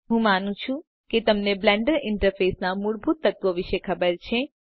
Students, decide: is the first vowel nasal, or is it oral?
nasal